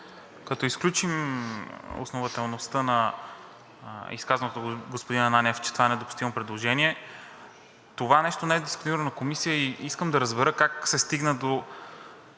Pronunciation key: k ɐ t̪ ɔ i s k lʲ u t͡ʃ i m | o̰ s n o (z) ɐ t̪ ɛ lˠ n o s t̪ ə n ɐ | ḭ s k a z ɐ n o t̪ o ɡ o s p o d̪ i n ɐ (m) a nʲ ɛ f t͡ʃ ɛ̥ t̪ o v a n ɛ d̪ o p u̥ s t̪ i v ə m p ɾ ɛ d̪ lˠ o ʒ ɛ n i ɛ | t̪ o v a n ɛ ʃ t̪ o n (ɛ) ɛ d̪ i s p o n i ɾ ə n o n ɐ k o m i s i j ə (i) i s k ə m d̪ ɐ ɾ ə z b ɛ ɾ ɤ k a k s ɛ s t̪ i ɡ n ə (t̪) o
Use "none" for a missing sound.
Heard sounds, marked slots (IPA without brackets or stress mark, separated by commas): v, n, ɛ, i, d̪